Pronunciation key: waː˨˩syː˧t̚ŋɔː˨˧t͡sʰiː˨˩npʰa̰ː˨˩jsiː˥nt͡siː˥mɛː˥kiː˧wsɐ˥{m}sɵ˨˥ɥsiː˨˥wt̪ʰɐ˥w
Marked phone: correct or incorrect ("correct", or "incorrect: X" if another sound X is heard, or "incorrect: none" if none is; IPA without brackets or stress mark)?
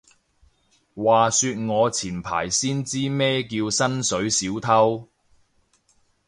incorrect: n